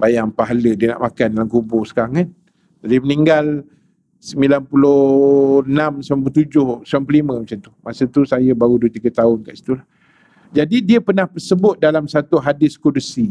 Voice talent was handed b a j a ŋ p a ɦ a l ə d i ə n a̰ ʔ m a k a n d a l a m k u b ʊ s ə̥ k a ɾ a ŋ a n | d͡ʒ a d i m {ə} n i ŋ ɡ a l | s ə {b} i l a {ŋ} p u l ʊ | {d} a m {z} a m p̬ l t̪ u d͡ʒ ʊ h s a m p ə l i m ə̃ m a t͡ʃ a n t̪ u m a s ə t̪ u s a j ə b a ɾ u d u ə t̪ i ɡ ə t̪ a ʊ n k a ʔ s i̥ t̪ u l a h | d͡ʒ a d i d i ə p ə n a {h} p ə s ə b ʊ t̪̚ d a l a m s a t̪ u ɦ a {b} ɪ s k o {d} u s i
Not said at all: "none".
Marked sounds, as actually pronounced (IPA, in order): ə, m, n, n, s, h, d, d

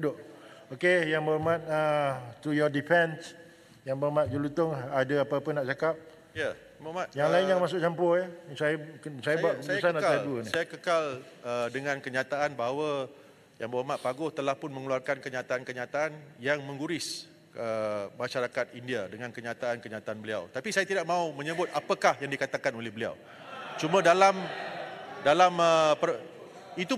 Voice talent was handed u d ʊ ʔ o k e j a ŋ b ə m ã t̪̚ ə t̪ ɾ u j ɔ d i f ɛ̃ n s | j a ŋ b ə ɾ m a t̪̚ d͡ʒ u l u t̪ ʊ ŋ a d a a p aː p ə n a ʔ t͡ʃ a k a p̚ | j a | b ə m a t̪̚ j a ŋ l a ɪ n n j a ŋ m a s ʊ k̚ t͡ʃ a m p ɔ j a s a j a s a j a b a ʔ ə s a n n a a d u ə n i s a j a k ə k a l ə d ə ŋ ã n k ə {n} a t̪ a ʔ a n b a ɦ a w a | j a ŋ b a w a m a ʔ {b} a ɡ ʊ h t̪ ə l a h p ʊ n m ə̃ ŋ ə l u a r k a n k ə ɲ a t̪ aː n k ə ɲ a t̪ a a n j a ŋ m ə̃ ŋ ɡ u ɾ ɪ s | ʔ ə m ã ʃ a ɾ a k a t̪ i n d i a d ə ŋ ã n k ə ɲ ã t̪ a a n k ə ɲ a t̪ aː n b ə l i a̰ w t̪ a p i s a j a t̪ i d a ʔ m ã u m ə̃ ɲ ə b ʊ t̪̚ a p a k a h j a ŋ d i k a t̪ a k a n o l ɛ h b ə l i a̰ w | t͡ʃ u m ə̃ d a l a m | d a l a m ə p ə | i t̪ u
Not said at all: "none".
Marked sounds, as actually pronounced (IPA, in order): ɲ, p

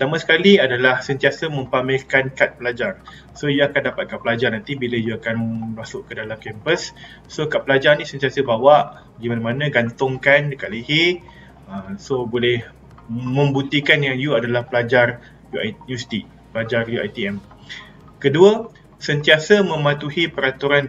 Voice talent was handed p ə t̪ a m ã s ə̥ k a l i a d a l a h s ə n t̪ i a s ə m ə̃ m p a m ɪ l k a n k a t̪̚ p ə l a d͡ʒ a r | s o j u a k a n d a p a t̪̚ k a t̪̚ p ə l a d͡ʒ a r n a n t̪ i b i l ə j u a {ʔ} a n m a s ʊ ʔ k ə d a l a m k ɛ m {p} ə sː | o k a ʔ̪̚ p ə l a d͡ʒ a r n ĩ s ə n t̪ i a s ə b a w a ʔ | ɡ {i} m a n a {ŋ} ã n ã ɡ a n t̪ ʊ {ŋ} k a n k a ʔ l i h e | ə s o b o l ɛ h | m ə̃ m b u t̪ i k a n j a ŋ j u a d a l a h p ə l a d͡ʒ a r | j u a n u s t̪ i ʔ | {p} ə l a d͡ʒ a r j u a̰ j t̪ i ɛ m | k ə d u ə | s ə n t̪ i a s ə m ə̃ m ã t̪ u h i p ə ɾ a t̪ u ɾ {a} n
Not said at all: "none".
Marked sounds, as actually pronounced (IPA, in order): k, p, i, m, ŋ, p, a

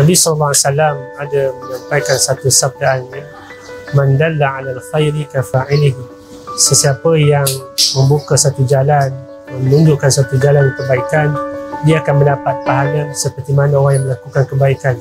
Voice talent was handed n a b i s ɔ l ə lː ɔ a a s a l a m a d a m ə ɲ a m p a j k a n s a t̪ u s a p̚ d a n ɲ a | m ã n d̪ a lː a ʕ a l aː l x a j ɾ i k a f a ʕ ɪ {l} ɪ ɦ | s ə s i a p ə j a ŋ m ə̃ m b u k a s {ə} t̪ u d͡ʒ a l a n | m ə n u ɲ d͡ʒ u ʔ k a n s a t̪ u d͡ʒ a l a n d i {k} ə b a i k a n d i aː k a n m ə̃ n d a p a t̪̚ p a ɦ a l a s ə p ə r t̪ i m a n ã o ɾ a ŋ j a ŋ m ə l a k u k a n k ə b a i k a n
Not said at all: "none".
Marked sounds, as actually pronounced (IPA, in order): l, a, k

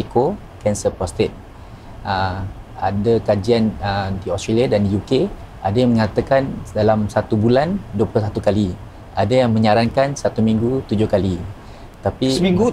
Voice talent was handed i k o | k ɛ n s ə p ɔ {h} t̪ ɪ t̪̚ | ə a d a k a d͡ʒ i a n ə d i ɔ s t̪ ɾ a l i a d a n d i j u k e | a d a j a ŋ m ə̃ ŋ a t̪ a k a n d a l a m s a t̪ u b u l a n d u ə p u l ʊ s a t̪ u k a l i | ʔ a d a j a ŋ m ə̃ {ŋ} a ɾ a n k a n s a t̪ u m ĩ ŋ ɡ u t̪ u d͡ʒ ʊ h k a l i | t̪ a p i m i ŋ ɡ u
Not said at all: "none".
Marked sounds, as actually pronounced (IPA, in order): s, ɲ

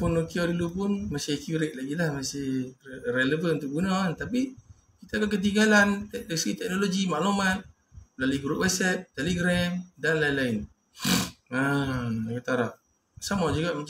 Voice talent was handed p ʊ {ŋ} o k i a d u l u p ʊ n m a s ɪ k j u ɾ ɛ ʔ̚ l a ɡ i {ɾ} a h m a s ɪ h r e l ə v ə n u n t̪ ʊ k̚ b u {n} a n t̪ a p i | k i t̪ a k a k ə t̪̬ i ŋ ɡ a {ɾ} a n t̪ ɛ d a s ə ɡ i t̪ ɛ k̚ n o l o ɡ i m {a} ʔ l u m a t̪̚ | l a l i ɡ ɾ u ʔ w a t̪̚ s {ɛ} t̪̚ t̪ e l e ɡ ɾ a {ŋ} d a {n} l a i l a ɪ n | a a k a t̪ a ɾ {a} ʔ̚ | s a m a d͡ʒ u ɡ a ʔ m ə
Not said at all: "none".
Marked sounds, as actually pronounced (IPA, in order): n, l, n, l, a, ɛ, m, n, a

